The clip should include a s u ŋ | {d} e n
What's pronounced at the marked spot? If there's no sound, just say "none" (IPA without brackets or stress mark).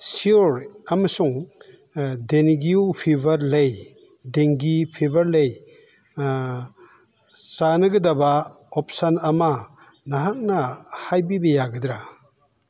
d